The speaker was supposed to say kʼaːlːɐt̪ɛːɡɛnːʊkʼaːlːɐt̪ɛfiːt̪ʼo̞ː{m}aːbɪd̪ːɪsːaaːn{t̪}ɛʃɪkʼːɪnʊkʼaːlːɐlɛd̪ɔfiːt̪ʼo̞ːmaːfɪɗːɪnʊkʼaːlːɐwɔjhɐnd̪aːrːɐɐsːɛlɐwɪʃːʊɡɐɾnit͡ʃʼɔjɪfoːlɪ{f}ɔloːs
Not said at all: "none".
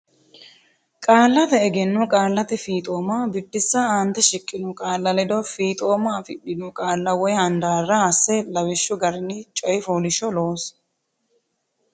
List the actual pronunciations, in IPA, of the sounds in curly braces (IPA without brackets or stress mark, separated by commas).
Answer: m, t̪, ʃ